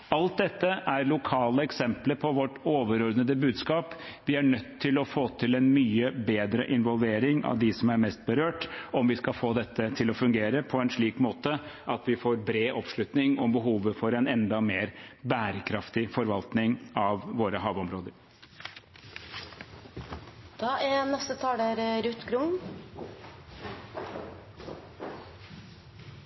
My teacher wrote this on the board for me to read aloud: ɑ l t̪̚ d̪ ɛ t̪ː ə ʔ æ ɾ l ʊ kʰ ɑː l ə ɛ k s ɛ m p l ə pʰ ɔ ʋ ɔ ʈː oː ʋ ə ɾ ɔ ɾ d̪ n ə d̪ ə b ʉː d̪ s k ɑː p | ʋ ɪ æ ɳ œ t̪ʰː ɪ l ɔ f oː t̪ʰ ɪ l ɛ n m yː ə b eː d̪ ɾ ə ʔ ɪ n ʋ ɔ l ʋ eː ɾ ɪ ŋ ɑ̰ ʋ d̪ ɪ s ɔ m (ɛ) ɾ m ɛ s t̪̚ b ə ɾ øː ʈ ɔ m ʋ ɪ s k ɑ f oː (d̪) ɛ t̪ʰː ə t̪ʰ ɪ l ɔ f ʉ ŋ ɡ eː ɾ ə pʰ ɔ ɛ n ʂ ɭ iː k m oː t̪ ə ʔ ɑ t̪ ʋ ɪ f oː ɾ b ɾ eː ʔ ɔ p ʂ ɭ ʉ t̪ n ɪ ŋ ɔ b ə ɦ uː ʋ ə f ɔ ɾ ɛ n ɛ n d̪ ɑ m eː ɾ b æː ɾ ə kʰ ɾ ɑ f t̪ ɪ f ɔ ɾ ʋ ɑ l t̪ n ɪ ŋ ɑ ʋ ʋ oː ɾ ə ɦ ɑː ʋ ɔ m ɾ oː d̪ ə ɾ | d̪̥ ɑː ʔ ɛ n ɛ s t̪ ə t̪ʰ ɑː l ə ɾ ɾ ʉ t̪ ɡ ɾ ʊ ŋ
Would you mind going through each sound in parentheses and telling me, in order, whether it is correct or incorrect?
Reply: incorrect: æ, correct

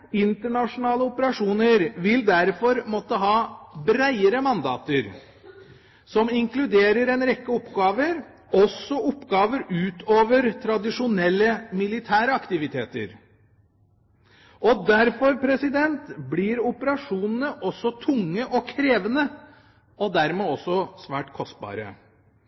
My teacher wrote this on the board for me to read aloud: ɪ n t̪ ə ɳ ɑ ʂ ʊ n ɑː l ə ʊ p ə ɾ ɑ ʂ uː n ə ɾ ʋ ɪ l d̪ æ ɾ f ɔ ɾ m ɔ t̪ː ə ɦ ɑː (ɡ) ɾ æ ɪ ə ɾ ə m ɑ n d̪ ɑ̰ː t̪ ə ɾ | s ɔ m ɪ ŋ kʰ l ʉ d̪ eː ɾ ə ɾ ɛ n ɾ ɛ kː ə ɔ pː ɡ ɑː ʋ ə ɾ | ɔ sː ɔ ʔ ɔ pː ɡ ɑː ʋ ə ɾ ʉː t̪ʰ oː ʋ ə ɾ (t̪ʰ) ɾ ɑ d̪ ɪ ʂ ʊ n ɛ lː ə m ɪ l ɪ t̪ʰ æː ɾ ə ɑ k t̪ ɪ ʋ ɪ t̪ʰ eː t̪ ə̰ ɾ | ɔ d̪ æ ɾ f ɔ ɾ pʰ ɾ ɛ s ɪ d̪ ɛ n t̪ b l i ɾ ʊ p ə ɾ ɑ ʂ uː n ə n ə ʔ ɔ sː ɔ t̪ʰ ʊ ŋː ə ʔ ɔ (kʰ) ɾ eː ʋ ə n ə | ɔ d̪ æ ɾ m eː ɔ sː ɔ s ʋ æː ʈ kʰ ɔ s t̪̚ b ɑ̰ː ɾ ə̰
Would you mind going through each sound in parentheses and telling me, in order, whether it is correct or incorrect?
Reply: incorrect: b, correct, correct

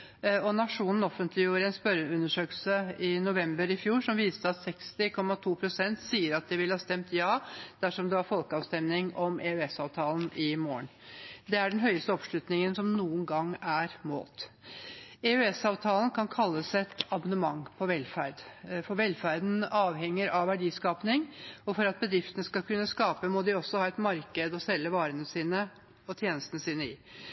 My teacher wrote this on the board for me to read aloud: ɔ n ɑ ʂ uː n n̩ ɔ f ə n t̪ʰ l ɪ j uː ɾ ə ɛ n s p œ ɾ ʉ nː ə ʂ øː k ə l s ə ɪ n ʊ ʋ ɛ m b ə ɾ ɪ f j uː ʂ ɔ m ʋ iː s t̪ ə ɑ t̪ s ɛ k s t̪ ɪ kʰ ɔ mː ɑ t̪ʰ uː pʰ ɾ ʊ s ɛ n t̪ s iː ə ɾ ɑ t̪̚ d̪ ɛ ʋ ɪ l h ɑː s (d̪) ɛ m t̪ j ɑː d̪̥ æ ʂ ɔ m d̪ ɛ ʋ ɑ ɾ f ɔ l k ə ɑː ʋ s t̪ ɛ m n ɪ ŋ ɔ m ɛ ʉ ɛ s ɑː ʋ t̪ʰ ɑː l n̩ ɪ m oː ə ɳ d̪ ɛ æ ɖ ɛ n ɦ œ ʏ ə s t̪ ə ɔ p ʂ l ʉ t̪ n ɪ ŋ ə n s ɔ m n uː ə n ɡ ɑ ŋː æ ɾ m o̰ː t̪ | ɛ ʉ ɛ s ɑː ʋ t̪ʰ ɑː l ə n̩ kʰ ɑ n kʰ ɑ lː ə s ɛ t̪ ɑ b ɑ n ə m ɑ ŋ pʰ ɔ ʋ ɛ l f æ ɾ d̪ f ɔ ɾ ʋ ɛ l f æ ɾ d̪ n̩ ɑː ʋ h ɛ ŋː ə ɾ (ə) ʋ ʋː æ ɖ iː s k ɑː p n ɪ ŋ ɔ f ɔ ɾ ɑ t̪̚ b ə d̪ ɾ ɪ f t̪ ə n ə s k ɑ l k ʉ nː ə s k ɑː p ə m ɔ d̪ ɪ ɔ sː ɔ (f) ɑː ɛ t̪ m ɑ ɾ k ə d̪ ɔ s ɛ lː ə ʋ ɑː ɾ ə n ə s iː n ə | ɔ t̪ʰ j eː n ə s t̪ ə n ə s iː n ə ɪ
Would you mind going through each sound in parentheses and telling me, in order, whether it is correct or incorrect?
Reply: incorrect: t̪, incorrect: ɑ, incorrect: h

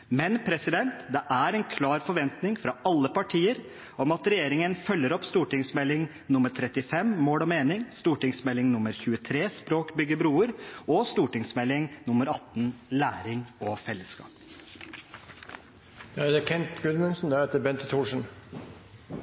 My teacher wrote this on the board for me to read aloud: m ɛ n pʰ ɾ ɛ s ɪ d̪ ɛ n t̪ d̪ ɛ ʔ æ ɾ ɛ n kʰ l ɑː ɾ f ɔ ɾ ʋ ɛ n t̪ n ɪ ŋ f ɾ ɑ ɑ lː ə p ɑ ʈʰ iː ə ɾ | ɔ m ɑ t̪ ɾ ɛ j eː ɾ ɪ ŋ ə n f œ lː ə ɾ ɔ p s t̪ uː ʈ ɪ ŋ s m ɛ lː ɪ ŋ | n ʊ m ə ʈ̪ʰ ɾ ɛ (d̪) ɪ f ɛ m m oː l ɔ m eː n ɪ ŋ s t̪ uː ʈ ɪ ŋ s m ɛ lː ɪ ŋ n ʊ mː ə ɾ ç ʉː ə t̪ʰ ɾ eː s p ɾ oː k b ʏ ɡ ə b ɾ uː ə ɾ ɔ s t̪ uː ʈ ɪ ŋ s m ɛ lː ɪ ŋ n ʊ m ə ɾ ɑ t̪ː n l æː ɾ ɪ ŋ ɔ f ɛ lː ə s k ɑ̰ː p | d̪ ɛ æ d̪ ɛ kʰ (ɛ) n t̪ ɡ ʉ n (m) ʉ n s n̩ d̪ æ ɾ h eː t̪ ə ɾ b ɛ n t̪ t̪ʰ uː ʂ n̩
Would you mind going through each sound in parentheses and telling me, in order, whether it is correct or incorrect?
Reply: incorrect: t̪, correct, correct

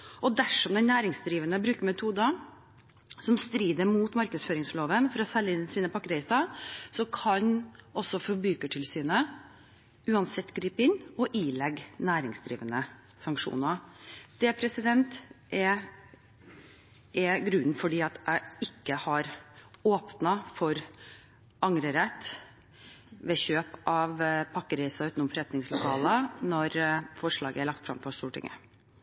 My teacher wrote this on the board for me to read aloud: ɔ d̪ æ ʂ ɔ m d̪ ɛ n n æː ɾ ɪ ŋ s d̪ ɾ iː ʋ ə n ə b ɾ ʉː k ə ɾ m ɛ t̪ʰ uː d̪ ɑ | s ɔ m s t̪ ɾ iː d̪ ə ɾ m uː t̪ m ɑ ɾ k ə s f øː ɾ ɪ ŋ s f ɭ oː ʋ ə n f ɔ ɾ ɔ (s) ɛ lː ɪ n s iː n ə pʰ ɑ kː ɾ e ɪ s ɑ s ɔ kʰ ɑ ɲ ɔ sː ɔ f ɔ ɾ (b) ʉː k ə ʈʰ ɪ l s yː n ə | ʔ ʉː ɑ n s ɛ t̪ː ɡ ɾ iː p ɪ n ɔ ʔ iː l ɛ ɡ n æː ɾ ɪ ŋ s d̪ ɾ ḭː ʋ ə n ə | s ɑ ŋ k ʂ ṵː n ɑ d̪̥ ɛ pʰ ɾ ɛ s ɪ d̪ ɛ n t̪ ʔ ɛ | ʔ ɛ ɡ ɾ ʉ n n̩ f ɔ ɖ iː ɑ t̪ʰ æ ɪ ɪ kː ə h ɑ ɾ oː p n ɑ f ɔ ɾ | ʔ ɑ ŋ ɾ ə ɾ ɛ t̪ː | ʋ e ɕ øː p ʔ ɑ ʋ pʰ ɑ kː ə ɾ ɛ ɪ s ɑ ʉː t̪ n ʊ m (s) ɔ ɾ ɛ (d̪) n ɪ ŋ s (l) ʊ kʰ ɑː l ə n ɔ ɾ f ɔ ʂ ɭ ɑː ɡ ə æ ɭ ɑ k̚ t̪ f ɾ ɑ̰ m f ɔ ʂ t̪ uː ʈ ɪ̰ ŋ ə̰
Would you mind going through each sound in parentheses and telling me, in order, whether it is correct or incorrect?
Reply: correct, correct, incorrect: f, incorrect: t̪, correct

